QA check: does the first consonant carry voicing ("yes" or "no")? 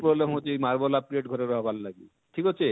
no